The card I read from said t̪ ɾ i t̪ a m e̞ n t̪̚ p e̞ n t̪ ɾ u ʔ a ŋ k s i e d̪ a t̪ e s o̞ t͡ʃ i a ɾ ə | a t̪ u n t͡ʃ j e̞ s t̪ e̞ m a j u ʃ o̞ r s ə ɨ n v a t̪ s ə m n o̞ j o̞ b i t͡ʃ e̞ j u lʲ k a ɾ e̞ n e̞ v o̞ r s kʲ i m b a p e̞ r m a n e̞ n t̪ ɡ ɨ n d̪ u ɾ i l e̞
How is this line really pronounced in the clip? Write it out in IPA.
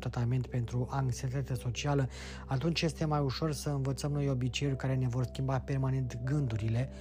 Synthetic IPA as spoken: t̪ ɾ a t̪ a m e̞ n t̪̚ p e̞ n t̪ ɾ u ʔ a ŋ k s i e t̪ a t̪ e s o̞ t͡ʃ i a l ə | a t̪ u n t͡ʃ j e̞ s t̪ e̞ m a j u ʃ o̞ r s ə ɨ n v ə t̪ s ə m n o̞ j o̞ b i t͡ʃ e̞ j u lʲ k a ɾ e̞ n e̞ v o̞ r s kʲ i m b a p e̞ r m a n e̞ n t̪ ɡ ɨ n d̪ u ɾ i l e̞